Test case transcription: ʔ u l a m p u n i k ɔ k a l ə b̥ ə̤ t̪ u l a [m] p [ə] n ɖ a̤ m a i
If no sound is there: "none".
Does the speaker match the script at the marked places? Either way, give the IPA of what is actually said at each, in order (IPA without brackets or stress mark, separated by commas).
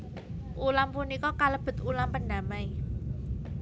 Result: m, ə